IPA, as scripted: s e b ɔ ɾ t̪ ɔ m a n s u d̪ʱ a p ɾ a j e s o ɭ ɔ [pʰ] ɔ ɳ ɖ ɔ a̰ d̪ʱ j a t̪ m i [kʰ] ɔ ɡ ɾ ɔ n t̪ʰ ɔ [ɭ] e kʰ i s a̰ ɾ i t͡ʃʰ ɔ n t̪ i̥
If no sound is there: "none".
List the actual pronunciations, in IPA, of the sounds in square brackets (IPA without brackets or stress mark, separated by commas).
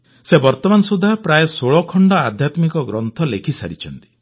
kʰ, k, l